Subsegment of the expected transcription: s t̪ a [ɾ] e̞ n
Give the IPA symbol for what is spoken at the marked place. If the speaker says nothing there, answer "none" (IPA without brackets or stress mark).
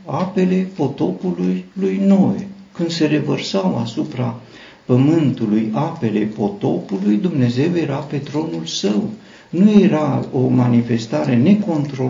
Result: ɾ